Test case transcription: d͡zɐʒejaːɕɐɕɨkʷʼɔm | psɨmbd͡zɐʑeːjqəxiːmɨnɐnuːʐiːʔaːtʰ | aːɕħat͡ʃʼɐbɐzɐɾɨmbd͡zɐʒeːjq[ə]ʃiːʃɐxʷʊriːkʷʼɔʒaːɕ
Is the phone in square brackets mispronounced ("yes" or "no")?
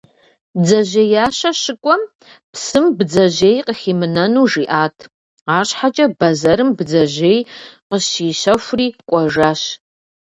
no